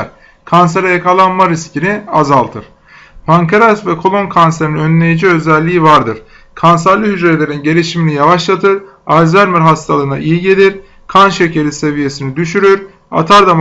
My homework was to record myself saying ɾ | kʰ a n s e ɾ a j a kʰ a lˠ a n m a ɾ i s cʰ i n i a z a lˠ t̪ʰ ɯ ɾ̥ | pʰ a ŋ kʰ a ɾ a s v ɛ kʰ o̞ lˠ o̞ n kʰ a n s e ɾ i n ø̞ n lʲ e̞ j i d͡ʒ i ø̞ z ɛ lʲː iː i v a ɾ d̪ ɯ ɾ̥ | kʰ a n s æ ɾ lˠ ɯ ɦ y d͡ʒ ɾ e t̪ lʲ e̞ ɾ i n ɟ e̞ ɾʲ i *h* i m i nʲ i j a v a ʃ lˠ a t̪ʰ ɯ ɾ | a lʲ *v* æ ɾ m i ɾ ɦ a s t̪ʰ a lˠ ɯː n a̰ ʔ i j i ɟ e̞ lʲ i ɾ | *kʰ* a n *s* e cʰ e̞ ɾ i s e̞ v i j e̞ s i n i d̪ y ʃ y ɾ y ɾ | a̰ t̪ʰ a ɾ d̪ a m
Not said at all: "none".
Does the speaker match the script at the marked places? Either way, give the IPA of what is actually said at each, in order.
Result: ʃ, z, kʰ, ʃ

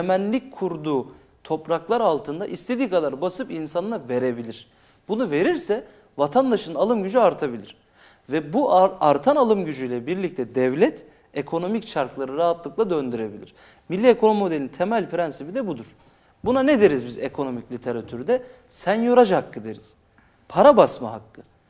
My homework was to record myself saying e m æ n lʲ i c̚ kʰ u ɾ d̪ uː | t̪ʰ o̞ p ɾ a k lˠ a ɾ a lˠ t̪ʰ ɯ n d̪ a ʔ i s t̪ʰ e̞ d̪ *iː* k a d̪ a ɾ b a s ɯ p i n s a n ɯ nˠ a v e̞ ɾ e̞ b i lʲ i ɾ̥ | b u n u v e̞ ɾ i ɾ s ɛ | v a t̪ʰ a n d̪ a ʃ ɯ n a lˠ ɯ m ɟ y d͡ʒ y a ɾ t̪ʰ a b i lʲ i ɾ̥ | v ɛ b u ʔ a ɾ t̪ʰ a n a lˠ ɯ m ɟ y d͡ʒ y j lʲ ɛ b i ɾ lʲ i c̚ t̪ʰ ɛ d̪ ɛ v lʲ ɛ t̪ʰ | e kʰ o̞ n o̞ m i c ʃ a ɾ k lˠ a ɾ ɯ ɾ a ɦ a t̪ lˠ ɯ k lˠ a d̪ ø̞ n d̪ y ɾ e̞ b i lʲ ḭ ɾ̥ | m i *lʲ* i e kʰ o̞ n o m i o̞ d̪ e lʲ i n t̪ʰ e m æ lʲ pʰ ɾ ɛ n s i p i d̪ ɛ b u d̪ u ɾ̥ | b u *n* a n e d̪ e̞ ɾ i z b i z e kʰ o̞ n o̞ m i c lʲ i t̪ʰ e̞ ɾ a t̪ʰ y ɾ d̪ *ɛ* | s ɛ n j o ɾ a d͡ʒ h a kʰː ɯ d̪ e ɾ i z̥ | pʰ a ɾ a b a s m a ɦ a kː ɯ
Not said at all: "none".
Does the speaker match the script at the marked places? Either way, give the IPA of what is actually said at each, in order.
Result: iː, lʲː, n, ɛ

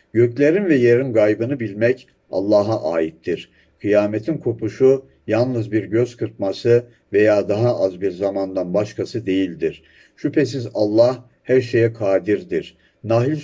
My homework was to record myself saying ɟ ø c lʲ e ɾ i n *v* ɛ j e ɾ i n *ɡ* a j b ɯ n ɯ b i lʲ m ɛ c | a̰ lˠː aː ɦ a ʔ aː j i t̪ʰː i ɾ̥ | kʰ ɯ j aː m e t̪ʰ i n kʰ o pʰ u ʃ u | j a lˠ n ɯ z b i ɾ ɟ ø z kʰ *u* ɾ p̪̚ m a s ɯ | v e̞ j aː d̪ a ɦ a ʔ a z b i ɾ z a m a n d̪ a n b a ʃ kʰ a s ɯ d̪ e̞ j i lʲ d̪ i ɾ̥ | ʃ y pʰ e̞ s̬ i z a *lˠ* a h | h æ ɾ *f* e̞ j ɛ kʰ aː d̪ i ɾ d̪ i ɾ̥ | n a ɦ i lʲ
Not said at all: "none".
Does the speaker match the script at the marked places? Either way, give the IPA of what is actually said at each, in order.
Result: v, ɡ, ɯ, lˠː, ʃ

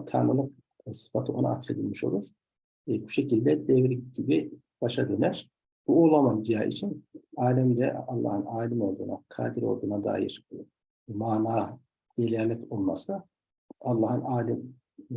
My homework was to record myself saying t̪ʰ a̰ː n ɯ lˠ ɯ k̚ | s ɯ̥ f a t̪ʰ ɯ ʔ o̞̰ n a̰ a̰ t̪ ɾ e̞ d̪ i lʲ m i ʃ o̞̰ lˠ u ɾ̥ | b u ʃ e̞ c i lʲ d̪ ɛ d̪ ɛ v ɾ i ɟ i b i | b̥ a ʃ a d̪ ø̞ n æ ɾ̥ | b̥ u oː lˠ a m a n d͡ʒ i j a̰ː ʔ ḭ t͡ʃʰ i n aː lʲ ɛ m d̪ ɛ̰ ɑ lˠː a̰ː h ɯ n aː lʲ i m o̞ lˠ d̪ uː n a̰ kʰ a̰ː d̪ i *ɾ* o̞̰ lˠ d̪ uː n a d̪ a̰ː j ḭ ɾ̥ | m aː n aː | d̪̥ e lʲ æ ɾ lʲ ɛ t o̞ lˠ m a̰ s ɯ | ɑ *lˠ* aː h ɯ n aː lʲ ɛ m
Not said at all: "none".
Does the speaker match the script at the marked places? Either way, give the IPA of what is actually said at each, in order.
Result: ɾ, lˠː

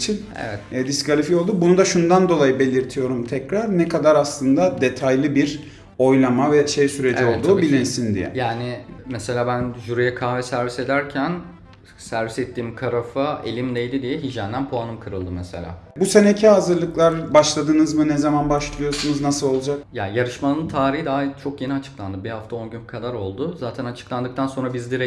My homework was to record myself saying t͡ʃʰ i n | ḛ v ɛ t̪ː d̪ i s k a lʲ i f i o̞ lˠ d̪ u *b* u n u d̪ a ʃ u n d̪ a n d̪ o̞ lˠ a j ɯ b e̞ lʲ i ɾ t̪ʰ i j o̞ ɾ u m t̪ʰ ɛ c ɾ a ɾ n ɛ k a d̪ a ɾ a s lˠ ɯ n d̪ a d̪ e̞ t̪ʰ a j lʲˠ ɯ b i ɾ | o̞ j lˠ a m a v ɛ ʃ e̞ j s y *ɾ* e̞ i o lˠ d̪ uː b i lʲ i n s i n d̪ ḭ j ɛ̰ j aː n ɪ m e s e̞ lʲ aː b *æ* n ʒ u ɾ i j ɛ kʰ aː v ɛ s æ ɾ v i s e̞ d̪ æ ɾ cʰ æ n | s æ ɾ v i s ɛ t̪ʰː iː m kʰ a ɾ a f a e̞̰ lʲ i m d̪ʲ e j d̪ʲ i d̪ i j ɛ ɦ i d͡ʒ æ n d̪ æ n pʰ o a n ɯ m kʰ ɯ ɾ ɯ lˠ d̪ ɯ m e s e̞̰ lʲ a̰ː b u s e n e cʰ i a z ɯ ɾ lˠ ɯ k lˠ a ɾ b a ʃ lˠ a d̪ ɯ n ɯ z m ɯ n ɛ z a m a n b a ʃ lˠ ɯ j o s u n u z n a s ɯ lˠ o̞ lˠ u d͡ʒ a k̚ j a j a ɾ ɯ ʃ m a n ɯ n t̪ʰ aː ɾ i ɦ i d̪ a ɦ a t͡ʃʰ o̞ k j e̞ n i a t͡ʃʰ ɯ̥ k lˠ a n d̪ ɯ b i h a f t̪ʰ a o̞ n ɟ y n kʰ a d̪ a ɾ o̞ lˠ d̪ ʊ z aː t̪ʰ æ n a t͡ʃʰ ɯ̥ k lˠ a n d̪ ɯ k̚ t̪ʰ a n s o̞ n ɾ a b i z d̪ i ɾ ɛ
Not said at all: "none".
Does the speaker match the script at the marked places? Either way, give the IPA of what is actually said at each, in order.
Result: b, ɾ, æ

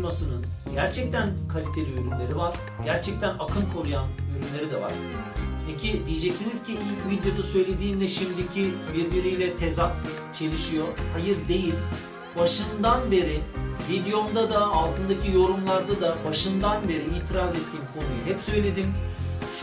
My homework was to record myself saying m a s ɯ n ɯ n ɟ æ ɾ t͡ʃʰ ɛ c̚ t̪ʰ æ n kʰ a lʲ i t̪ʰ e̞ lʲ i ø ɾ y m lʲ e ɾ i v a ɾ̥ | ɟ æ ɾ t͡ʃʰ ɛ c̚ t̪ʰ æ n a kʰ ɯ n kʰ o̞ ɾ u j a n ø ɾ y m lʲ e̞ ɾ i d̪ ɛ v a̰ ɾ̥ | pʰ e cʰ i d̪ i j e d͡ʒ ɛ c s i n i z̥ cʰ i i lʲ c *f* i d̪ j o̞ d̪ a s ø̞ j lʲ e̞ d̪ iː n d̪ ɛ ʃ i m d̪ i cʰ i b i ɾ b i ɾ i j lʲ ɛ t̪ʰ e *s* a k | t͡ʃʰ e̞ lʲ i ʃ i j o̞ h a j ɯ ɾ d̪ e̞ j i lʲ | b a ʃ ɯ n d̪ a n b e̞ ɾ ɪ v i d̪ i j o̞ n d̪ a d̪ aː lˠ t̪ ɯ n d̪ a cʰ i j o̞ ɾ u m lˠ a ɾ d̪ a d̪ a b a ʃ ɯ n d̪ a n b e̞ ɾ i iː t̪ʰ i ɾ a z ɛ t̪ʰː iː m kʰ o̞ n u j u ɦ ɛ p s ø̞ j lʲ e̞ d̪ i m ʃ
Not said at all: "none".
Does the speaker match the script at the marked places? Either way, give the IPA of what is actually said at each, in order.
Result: v, z

